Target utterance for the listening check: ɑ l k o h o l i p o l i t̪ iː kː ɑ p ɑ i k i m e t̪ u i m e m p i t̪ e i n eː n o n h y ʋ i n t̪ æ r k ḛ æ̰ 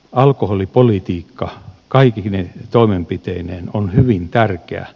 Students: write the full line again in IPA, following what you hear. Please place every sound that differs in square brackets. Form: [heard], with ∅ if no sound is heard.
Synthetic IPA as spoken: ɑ l k o h o l i p o l i t̪ iː kː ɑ [k] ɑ i k i [n] e t̪ [o] i m e m p i t̪ e i n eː n o n h y ʋ i n t̪ æ r k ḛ æ̰